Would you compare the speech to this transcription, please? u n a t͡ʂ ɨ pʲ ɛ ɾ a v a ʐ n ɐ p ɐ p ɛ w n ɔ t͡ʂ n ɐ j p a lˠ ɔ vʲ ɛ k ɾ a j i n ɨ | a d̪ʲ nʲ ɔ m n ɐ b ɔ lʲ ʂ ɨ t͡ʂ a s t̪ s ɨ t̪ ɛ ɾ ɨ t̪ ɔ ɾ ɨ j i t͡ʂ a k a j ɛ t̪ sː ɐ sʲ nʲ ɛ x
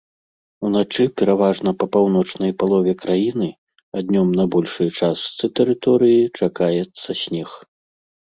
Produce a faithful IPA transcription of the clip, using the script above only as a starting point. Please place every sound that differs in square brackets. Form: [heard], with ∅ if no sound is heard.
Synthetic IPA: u n a t͡ʂ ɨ pʲ ɛ ɾ a v a ʐ n ɐ p ɐ p [a] w n ɔ t͡ʂ n ɐ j p a lˠ ɔ vʲ ɛ k ɾ a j i n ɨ | a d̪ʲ nʲ ɔ m n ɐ b ɔ lʲ ʂ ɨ t͡ʂ a s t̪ s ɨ t̪ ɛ ɾ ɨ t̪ ɔ ɾ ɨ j i t͡ʂ a k a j ɛ t̪ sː ɐ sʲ nʲ ɛ x